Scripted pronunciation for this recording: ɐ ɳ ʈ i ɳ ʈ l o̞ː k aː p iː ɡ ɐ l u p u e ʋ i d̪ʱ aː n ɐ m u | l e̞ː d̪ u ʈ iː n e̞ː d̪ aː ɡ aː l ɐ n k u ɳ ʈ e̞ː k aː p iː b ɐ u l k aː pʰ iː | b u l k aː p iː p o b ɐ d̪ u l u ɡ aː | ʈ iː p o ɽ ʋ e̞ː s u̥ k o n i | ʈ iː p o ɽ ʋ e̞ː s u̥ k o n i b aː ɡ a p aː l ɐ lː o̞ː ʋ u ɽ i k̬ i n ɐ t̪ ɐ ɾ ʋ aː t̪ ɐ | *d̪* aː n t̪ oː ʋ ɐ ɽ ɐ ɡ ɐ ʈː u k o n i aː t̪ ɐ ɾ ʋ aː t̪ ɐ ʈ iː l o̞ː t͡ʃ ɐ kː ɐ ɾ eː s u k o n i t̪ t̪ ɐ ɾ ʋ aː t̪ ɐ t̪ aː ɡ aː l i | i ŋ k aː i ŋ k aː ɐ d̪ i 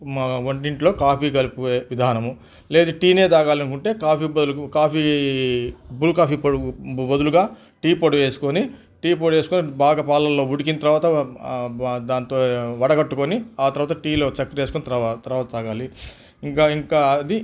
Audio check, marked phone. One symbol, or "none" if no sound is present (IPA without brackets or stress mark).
d̪